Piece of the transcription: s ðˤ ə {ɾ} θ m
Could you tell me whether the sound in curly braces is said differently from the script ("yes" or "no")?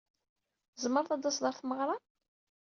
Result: no